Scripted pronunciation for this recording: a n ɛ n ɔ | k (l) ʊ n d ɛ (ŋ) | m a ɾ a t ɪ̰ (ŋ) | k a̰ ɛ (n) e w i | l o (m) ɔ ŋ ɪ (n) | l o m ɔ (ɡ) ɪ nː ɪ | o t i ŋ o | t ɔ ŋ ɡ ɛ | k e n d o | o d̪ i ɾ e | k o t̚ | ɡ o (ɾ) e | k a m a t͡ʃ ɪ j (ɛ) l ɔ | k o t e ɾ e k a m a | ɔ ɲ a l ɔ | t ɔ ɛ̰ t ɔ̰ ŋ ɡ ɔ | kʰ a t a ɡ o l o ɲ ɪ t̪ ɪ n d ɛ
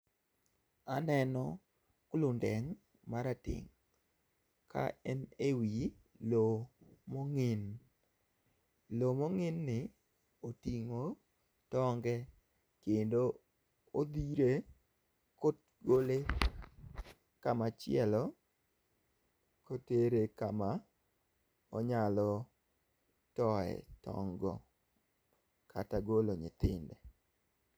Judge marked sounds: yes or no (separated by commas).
yes, yes, yes, yes, yes, yes, no, no, yes